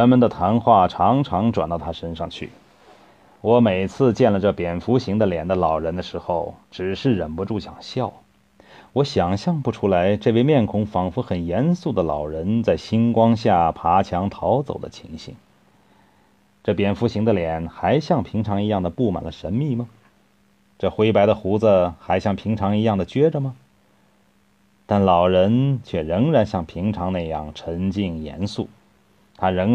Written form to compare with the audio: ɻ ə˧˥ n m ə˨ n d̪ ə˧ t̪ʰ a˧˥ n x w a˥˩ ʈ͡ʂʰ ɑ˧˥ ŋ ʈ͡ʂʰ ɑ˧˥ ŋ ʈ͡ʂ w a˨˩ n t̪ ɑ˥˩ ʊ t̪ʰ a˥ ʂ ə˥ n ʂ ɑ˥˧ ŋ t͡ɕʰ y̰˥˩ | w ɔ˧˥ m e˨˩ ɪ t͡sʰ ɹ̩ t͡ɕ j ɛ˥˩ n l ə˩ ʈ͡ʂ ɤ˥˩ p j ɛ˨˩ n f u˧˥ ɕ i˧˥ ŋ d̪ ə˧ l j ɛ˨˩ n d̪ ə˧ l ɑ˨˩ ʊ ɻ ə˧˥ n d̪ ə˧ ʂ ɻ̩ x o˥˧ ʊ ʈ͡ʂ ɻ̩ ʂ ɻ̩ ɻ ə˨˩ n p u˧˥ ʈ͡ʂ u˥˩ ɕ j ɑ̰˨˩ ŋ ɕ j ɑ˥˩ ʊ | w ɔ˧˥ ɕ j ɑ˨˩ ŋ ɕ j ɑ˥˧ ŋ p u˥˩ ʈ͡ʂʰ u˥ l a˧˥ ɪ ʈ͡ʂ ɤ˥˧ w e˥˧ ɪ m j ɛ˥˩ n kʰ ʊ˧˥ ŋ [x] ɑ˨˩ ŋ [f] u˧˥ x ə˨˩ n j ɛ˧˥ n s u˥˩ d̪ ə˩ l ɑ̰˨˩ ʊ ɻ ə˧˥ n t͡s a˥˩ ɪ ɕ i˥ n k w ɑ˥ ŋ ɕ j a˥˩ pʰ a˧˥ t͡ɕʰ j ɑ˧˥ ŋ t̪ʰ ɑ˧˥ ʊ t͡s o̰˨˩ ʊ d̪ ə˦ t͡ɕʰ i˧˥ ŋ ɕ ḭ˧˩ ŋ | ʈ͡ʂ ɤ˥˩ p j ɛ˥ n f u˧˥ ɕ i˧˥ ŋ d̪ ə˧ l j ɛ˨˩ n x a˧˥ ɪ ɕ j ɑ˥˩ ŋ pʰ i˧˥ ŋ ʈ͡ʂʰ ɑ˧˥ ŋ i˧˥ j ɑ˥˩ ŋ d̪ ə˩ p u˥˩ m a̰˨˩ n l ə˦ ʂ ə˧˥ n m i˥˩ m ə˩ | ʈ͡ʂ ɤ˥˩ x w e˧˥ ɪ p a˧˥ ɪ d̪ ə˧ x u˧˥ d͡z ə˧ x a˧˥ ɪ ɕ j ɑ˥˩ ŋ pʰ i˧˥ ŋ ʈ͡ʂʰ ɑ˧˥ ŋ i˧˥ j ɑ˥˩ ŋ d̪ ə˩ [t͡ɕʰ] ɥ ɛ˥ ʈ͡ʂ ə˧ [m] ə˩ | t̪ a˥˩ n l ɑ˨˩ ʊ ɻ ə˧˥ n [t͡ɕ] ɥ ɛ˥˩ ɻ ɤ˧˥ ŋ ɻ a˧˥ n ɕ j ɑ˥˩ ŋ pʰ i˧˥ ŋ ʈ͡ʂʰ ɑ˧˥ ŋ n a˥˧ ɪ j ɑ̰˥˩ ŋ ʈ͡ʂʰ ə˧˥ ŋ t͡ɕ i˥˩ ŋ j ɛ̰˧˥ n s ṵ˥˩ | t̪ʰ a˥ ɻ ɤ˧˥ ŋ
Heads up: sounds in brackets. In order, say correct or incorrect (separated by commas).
incorrect, correct, incorrect, correct, incorrect